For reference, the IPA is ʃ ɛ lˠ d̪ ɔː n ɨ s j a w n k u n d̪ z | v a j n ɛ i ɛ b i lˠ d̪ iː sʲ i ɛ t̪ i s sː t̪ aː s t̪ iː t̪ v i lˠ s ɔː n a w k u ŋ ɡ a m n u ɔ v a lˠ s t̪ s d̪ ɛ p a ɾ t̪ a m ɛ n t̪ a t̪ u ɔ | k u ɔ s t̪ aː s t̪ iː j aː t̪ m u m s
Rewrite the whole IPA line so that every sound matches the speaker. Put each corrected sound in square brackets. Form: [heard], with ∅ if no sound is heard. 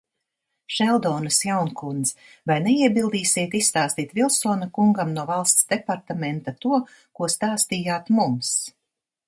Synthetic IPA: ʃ ɛ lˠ d̪ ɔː n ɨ s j a w n k u n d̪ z | v a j n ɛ i ɛ b i lˠ d̪ iː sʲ i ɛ t̪ i s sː t̪ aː s t̪ iː t̪ v i lˠ s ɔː n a [∅] k u ŋ ɡ a m n u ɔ v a lˠ s t̪ s d̪ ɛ p a ɾ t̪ a m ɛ n t̪ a t̪ u ɔ | k u ɔ s t̪ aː s t̪ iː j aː t̪ m u m s